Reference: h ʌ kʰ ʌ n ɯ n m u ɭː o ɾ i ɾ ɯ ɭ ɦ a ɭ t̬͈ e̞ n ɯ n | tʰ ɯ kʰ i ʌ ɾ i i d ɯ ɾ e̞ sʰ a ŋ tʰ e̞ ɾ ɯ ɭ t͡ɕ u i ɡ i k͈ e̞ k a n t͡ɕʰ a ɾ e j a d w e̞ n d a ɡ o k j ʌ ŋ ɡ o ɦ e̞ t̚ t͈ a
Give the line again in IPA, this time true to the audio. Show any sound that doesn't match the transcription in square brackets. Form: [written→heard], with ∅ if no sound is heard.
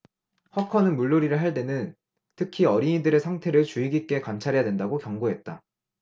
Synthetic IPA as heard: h ʌ kʰ ʌ n ɯ n m u ɭː o ɾ i ɾ ɯ ɭ ɦ a ɭ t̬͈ e̞ n ɯ n | tʰ ɯ kʰ i ʌ ɾ i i d ɯ ɾ e̞ sʰ a ŋ tʰ e̞ ɾ ɯ ɭ t͡ɕ u i ɡ i k͈ e̞ k a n t͡ɕʰ a ɾ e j a d w e̞ n d a ɡ o k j ʌ ŋ ɡ o ɦ e̞ t̚ t͈ a